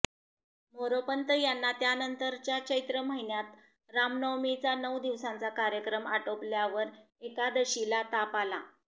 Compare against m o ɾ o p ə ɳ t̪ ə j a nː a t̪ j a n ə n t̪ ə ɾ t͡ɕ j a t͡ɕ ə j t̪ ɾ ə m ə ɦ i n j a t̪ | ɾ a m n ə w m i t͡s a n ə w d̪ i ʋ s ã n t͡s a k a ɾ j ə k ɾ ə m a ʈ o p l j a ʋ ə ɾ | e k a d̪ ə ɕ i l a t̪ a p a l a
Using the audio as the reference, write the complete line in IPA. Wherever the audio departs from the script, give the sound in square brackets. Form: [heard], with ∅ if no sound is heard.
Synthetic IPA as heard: m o ɾ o p ə [n] t̪ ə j a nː a t̪ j a n ə n t̪ ə ɾ t͡ɕ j a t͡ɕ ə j t̪ ɾ ə m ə ɦ i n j a t̪ | ɾ a m n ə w m i t͡s a n ə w d̪ i ʋ s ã n t͡s a k a ɾ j ə k ɾ ə m a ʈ o p l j a ʋ ə ɾ | e k a d̪ ə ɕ i l a t̪ a p a l a

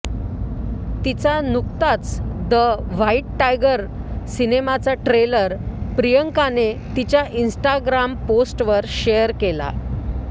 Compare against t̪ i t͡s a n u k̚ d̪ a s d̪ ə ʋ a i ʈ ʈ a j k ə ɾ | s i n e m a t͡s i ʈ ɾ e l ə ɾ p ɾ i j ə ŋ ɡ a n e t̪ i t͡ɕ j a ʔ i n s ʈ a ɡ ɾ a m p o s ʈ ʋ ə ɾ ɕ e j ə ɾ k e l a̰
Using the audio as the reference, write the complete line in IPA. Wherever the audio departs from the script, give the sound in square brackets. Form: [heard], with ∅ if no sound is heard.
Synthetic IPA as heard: t̪ i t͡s a n u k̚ [t̪] a [t͡s] d̪ ə ʋ a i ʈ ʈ a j [ɡ] ə ɾ | s i n e m a t͡s [a] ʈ ɾ e l ə ɾ p ɾ i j ə ŋ [k] a n e t̪ i t͡ɕ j a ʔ i n s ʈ a ɡ ɾ a m p o s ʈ ʋ ə ɾ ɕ e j ə ɾ k e l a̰

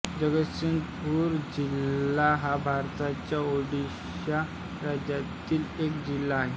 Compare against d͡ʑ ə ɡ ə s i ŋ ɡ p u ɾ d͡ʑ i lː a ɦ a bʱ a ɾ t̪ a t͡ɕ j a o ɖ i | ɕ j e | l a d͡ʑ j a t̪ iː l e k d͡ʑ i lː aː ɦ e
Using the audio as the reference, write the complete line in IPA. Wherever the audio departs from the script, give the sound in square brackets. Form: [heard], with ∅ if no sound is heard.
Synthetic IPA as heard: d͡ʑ ə ɡ ə s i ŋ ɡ p u ɾ d͡ʑ i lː a ɦ a bʱ a ɾ t̪ a t͡ɕ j a o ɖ i | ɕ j [a] | [ɾ] a d͡ʑ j a t̪ iː l e k d͡ʑ i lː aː ɦ e

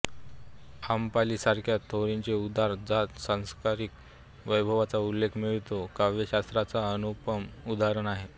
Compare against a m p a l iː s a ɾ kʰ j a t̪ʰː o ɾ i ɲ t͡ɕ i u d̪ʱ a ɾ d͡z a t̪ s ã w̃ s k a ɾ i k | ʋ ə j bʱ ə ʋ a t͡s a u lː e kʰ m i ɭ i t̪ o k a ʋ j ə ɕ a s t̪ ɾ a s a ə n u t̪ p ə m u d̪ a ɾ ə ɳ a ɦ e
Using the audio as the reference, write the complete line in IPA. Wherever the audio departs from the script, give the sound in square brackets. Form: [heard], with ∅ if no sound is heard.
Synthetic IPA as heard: a m p a l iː s a ɾ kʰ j a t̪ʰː o ɾ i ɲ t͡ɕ [e] u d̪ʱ a ɾ d͡z a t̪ s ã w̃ s k a ɾ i k | ʋ ə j bʱ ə ʋ a t͡s a u lː e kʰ m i ɭ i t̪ o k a ʋ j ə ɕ a s t̪ ɾ a [t͡s] a ə n u [∅] p ə m u d̪ a ɾ ə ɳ a ɦ e

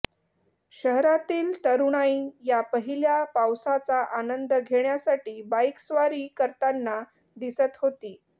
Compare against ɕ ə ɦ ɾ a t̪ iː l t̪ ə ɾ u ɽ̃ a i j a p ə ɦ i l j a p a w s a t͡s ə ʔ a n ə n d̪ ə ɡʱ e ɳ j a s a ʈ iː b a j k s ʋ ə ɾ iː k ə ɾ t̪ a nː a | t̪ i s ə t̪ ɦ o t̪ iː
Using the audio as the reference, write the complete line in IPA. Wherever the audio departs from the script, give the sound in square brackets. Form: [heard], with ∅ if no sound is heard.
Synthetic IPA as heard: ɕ ə ɦ ɾ a t̪ iː l t̪ ə ɾ u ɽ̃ a i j a p ə ɦ i l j a p a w s a t͡s [a] ʔ a n ə n d̪ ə ɡʱ e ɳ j a s a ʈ iː b a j k s ʋ [a] ɾ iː k ə ɾ t̪ a nː a | [d̪] i s ə t̪ ɦ o t̪ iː

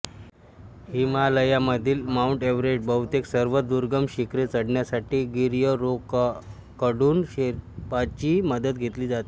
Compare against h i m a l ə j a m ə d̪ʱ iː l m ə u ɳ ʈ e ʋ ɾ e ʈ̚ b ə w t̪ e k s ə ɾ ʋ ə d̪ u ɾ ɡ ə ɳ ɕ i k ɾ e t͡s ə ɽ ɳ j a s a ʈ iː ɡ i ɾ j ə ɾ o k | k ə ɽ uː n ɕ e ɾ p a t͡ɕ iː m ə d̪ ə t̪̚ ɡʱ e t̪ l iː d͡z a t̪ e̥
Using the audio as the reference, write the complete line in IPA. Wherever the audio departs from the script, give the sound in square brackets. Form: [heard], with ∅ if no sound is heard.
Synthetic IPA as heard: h i m a l ə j a m ə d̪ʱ iː l m [a] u ɳ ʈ e ʋ ɾ e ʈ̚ b ə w t̪ e k s ə ɾ ʋ ə d̪ u ɾ ɡ ə [m] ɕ i k ɾ e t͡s ə ɽ ɳ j a s a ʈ iː ɡ i ɾ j ə ɾ o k | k ə ɽ uː n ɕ e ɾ p a t͡ɕ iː m ə d̪ ə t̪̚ ɡʱ e t̪ l iː d͡z a t̪ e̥

